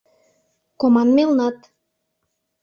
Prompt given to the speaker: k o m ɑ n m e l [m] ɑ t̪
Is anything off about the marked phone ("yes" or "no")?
yes